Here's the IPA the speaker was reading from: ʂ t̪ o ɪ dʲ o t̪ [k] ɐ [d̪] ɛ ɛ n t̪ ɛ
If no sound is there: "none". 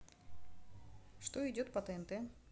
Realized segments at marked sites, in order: p, t̪

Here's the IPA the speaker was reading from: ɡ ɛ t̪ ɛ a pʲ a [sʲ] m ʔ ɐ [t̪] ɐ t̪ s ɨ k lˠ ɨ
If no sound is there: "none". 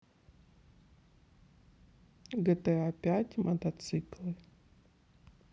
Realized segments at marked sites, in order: tʲ, t̪

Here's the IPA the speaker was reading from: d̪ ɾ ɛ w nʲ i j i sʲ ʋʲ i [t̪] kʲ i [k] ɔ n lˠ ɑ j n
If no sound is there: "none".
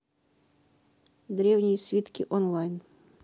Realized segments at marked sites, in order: t̪, ʔ

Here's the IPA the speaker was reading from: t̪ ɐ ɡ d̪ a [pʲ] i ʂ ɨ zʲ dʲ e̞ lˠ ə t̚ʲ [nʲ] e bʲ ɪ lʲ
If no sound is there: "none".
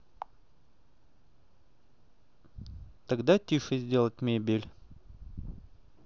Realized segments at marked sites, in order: tʲ, mʲ

